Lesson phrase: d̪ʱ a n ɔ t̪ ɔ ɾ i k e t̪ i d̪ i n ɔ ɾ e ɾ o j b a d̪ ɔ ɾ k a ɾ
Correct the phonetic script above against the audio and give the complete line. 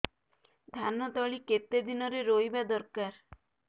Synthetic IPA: d̪ʱ a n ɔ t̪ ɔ ɭ i k e t̪ e d̪ i n ɔ ɾ e ɾ o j b a d̪ ɔ ɾ k a ɾ